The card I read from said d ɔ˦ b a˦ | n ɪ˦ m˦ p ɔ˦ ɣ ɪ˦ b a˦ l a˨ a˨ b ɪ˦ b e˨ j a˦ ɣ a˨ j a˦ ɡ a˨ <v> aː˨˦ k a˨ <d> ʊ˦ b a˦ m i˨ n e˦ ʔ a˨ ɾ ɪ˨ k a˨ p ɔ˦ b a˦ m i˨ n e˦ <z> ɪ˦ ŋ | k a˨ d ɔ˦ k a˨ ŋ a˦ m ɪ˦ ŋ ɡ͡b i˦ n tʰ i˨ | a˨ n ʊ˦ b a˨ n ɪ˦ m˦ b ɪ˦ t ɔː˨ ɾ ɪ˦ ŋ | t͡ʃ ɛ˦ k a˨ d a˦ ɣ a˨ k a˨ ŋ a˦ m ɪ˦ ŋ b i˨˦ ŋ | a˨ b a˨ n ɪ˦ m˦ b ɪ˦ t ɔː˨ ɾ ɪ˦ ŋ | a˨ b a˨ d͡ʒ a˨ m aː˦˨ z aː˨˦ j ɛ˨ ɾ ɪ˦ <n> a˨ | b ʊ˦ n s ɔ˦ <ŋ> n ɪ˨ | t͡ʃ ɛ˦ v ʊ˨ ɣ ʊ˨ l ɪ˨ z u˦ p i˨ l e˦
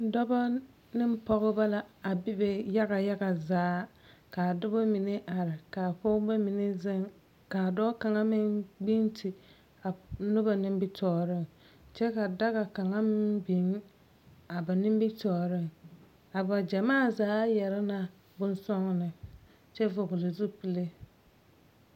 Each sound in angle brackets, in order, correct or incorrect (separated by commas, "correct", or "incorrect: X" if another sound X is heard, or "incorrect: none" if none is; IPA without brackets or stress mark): incorrect: z, correct, correct, correct, correct